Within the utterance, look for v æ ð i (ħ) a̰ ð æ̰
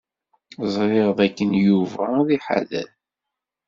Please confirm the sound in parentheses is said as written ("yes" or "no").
yes